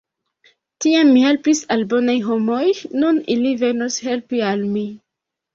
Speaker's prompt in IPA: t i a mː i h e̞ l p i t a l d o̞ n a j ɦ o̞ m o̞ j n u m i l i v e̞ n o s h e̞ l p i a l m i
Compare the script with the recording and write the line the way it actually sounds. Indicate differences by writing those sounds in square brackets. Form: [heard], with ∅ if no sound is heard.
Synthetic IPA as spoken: t i a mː i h e̞ l p i [s] a l [b] o̞ n a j ɦ o̞ m o̞ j n u [n] i l i v e̞ n o s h e̞ l p i a l m i